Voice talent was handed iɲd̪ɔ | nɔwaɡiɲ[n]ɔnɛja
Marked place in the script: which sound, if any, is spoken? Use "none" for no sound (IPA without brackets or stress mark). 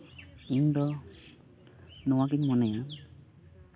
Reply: m